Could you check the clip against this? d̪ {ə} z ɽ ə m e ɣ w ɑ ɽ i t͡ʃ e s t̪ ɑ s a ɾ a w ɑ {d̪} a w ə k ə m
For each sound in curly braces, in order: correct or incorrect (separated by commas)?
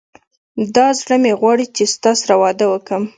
incorrect, correct